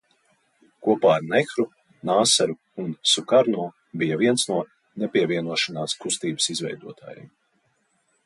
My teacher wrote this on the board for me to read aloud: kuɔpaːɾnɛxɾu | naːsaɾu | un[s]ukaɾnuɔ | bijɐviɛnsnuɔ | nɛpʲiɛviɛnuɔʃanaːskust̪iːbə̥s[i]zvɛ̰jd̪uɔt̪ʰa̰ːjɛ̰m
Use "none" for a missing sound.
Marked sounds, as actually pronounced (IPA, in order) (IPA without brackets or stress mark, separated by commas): s, i